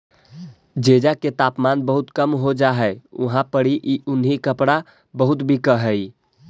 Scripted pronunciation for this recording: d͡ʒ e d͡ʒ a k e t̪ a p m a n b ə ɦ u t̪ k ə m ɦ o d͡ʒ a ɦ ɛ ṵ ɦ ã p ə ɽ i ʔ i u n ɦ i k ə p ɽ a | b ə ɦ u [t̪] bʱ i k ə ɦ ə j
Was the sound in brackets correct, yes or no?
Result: yes